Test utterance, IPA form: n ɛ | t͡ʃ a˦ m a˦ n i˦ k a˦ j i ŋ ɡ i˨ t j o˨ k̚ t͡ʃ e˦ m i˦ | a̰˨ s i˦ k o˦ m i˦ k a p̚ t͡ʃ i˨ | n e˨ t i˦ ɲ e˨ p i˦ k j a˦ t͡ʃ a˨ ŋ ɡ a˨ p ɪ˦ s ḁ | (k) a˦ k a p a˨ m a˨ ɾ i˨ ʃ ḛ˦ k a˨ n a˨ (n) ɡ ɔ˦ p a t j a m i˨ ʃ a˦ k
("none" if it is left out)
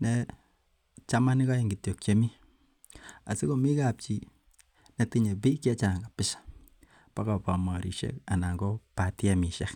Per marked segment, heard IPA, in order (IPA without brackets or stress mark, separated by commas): p, ŋ